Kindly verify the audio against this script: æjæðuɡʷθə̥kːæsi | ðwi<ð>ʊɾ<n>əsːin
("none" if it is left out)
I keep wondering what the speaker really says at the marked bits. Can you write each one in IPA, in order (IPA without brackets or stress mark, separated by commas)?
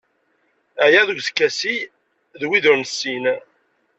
ð, n